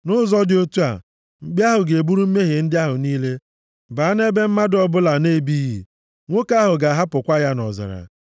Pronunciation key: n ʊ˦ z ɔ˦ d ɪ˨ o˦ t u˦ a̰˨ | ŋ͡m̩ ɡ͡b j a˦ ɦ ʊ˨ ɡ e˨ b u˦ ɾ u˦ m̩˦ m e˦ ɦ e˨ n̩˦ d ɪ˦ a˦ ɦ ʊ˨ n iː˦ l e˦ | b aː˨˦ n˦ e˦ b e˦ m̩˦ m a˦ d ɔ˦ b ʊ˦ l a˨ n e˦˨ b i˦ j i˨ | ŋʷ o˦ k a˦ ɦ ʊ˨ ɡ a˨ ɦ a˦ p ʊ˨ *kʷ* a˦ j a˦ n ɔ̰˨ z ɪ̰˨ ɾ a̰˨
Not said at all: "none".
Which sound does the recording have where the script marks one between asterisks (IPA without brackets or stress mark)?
kʷ